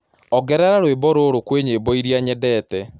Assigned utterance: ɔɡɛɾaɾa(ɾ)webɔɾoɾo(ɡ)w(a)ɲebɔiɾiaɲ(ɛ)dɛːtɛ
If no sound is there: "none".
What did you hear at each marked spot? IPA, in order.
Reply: ɾ, k, e, ɛ

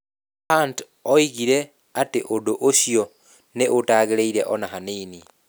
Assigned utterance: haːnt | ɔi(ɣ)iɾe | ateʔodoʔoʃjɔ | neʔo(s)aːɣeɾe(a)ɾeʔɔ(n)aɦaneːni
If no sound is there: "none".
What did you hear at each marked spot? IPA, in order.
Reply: ɣ, t, i, n

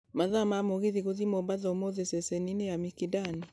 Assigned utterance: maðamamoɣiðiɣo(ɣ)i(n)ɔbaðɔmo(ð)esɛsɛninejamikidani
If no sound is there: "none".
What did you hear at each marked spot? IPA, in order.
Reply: ð, m, ð

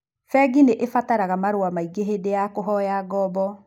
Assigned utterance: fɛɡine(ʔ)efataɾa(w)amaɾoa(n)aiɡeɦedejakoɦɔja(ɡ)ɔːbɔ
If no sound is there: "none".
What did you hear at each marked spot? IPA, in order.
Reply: ʔ, ɣ, m, ɡ

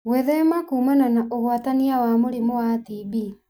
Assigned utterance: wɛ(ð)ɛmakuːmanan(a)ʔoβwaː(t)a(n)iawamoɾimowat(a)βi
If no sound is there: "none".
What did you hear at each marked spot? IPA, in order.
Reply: ð, a, t, n, i

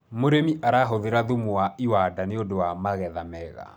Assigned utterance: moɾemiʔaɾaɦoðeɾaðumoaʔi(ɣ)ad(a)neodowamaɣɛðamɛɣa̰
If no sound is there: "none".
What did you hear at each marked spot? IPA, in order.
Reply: w, a

